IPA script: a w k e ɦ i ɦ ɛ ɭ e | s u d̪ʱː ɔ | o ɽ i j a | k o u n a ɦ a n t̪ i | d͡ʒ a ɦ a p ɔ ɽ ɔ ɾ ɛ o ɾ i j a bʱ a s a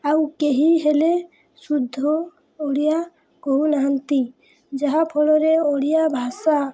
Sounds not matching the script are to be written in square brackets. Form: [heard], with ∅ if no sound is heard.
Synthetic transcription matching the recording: a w k e ɦ i ɦ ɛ [l] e | s u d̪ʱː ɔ | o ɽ i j a | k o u n a ɦ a n t̪ i | d͡ʒ a ɦ a [pʰ] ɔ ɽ ɔ ɾ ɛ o [ɽ] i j a bʱ a s a